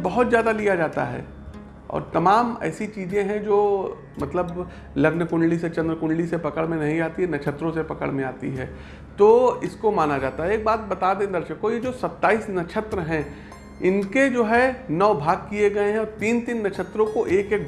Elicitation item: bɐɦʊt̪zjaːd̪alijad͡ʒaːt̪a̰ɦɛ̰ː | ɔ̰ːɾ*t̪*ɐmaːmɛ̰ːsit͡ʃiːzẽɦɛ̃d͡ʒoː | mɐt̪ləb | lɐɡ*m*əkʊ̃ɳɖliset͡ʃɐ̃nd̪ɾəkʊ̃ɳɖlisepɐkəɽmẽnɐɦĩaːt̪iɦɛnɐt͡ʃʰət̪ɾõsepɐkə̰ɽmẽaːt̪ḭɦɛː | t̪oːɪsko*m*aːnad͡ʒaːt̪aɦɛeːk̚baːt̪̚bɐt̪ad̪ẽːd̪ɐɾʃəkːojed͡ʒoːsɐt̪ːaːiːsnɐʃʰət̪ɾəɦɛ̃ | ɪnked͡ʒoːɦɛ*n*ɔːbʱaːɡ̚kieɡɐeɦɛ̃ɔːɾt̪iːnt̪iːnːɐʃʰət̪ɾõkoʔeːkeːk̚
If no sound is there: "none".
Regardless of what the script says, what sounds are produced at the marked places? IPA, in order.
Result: t̪, n, m, n

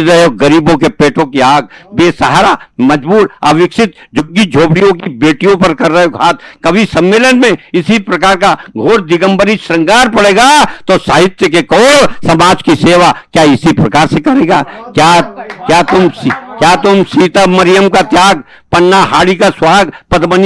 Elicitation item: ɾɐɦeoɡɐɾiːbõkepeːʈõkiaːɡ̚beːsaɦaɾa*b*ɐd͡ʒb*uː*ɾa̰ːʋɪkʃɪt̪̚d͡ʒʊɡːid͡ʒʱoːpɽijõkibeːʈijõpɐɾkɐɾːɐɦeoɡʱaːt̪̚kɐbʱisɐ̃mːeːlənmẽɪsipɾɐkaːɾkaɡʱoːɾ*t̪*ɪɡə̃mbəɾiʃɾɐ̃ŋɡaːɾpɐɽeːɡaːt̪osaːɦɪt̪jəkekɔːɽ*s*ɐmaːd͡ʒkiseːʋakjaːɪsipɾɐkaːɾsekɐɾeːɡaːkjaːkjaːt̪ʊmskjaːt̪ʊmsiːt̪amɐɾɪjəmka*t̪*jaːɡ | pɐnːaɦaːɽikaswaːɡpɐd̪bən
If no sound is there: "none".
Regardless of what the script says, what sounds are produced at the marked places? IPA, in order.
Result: m, uː, d̪, s, t̪

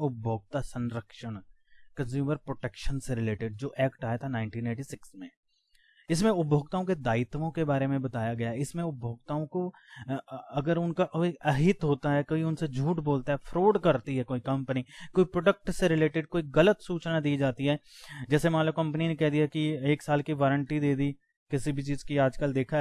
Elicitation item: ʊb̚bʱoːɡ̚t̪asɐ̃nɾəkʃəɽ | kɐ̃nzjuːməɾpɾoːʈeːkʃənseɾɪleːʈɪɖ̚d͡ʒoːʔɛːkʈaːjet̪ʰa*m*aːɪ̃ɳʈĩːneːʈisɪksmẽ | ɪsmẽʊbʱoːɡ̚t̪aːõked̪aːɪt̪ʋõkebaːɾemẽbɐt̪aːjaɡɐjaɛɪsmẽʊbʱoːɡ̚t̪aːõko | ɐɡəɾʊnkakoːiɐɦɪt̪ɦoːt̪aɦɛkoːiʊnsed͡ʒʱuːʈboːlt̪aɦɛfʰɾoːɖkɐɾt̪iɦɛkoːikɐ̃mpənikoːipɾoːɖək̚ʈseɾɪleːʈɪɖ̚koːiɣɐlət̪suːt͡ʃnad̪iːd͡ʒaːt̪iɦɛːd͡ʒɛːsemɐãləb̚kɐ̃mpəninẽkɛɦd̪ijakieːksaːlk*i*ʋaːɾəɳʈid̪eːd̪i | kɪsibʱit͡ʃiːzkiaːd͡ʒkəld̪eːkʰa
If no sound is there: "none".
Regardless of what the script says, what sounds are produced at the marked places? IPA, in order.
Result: n, i

